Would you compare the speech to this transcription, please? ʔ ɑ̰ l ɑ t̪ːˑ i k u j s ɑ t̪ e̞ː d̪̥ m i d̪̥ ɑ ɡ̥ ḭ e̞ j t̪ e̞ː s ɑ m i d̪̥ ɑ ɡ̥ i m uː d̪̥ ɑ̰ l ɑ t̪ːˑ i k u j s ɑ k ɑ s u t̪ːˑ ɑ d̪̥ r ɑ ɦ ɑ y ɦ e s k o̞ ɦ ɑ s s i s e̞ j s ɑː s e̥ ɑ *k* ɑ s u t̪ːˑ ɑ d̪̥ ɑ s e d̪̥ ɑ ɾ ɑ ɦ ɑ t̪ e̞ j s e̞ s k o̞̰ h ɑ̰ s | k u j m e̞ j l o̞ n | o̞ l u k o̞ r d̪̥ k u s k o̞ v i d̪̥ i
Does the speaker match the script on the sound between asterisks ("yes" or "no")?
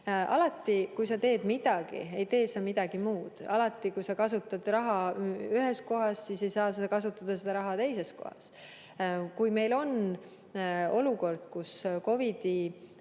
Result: yes